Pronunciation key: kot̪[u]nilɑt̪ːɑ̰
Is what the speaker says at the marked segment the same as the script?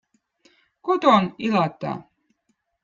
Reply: no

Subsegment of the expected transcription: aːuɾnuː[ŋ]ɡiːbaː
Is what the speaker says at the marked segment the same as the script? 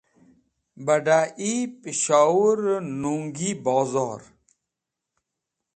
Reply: yes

